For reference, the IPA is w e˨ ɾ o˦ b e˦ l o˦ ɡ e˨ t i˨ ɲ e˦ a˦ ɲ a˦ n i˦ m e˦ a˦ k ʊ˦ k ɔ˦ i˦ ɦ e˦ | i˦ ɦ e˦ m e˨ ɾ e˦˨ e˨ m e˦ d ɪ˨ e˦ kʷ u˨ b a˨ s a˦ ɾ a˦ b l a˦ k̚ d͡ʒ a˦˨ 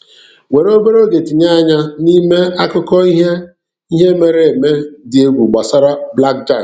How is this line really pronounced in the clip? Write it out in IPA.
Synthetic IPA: w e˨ ɾ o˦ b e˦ ɾ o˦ ɡ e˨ t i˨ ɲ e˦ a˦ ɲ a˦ n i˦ m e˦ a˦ k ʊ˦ k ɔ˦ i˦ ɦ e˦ | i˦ ɦ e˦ m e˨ ɾ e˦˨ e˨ m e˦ d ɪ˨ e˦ ɡʷ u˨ ɡ͡b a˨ s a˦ ɾ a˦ b l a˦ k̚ d͡ʒ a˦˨